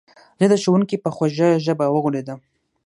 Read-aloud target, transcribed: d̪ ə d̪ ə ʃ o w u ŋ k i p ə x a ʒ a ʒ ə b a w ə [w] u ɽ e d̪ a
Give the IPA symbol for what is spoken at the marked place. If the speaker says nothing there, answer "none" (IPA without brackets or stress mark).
ɣ